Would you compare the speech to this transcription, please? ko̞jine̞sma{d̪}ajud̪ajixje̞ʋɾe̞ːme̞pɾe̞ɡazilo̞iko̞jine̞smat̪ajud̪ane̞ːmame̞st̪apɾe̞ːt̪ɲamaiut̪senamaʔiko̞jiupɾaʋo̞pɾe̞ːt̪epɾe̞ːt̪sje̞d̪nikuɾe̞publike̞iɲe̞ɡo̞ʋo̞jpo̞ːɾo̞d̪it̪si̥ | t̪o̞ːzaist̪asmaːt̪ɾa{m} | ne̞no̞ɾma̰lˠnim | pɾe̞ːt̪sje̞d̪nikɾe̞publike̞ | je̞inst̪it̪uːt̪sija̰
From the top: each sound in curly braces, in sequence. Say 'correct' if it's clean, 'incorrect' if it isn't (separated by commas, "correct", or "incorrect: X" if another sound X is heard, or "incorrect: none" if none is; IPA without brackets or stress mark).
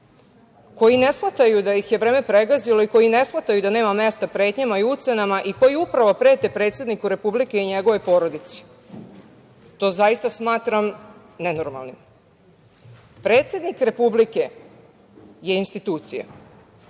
incorrect: t̪, correct